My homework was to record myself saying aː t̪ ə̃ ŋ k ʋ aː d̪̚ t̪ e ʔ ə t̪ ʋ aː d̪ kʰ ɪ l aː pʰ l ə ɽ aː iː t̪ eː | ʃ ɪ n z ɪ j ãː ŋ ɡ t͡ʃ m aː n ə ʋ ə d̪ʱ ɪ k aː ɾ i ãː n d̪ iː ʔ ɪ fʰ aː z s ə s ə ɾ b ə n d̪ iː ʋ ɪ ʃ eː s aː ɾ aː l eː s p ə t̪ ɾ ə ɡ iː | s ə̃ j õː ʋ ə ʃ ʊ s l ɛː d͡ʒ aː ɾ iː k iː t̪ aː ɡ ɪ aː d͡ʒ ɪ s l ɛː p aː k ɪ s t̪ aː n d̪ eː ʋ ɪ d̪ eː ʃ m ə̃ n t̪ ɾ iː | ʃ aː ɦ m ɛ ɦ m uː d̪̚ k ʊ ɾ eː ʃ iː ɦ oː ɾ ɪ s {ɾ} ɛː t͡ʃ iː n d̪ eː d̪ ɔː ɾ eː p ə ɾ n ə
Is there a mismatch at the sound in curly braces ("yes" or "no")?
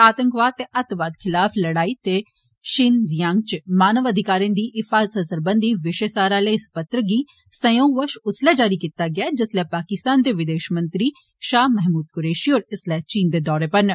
yes